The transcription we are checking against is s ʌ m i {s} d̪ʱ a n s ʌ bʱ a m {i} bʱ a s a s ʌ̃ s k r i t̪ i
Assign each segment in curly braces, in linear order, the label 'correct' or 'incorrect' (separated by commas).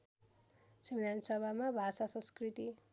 incorrect, incorrect